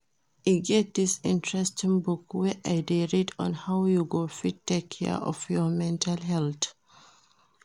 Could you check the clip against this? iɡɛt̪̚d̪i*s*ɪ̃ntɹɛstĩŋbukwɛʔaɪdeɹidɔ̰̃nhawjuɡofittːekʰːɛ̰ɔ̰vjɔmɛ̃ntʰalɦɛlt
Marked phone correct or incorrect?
correct